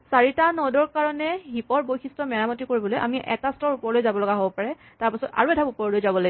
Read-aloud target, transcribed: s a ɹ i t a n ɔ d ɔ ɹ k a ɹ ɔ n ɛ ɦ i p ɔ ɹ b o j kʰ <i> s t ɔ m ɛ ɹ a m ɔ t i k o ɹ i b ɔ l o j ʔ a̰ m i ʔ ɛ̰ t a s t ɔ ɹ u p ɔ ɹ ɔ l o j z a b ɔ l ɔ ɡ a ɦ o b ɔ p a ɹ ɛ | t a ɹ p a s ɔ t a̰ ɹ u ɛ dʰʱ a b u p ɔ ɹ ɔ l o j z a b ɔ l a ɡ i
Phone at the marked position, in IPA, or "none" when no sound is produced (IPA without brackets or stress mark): i